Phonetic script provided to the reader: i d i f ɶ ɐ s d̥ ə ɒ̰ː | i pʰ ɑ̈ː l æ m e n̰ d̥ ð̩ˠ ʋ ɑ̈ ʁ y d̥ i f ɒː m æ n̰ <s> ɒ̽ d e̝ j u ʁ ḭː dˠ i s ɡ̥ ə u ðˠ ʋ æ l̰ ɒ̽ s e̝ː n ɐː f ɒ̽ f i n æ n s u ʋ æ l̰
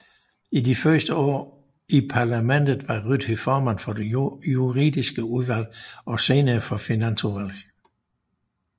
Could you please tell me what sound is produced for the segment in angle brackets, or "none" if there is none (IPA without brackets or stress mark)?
f